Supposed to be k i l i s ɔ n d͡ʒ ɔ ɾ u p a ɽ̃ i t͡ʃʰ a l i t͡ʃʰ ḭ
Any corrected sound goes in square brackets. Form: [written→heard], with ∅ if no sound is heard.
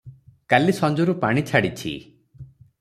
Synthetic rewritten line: k [i→a] l i s ɔ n d͡ʒ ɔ ɾ u p a ɽ̃ i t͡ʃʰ a [l→ɽ] i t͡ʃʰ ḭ